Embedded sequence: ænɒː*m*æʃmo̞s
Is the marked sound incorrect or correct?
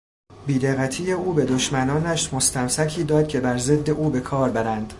incorrect: n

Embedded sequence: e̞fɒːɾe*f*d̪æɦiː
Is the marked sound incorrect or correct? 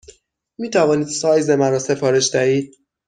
incorrect: ʃ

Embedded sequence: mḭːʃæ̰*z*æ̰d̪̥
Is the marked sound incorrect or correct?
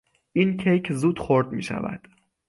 incorrect: v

